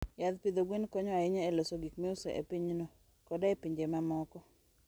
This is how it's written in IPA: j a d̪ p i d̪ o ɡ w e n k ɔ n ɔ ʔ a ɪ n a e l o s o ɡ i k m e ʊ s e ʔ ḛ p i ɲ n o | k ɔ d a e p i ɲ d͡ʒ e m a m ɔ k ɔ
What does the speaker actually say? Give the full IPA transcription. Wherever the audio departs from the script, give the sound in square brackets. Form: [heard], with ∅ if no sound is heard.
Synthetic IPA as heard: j a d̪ p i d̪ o ɡ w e n k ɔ [ɲ] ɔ [∅] a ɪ [ɲ] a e l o s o ɡ i k m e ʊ s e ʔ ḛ p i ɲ n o | k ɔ d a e p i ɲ d͡ʒ e m a m ɔ k ɔ